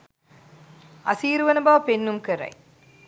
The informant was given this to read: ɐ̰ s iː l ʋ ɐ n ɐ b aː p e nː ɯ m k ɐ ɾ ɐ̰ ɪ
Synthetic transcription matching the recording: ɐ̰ s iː ɾ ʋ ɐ n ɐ b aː p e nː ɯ m k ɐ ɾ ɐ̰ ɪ